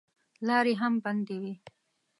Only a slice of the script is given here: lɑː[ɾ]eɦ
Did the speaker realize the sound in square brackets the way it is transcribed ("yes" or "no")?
yes